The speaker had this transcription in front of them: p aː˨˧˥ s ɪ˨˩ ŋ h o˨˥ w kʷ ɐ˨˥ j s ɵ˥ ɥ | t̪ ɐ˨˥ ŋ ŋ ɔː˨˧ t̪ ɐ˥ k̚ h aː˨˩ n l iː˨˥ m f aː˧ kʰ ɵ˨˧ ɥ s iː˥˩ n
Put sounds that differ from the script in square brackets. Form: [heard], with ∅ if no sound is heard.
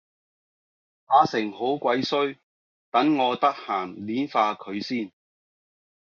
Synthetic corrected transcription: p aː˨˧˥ s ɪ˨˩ ŋ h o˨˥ w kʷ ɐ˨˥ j s ɵ˥ ɥ | t̪ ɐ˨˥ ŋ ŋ ɔː˨˧ t̪ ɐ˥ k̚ h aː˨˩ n l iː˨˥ [n] f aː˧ kʰ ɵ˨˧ ɥ s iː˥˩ n